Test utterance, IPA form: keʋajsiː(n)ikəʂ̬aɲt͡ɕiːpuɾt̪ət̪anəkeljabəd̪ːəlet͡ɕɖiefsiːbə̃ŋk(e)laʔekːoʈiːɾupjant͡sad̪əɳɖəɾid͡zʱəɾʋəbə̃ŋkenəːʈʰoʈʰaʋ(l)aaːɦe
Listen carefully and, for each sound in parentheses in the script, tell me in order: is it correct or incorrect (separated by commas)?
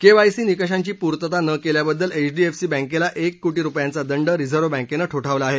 correct, correct, correct